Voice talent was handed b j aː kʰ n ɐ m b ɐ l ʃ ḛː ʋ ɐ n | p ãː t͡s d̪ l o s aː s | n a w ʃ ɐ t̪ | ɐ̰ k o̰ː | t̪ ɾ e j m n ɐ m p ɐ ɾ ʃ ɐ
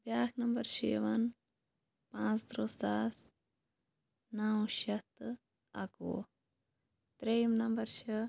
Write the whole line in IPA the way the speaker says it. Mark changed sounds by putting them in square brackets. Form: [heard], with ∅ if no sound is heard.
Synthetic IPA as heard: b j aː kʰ n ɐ m b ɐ [ɾ] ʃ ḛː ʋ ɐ n | p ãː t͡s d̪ [ɾ] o s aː s | n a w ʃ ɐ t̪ | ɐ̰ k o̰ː | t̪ ɾ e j m n ɐ m [b] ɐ ɾ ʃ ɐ